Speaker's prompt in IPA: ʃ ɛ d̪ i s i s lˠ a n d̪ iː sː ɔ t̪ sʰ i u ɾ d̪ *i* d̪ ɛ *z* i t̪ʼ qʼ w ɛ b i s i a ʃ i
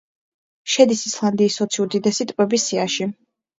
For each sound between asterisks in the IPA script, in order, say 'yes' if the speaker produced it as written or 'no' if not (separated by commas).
yes, no